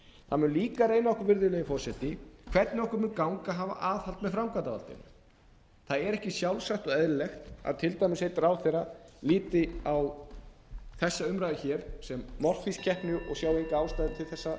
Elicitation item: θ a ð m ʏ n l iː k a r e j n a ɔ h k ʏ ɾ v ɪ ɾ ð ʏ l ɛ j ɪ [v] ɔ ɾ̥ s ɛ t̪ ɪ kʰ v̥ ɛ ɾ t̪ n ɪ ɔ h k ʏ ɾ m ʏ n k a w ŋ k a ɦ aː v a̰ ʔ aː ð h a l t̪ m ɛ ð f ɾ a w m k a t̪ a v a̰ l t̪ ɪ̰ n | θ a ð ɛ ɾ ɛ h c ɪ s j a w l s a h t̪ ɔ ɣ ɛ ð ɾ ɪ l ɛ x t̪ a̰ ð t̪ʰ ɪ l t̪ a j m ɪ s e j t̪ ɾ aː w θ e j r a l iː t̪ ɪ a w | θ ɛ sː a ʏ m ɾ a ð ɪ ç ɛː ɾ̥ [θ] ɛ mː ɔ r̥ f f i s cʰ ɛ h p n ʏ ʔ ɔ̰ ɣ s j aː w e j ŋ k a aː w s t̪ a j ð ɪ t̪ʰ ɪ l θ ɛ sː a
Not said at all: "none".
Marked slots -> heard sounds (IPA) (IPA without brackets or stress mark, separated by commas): f, s